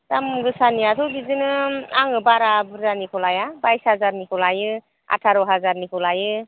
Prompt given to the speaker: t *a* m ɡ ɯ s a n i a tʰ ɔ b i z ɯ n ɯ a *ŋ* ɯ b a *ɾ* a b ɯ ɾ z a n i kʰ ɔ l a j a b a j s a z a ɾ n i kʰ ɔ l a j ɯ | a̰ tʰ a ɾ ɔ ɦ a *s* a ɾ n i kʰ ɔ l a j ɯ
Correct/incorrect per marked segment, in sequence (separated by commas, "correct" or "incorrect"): correct, correct, correct, incorrect